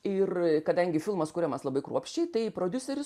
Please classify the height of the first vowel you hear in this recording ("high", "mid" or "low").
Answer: high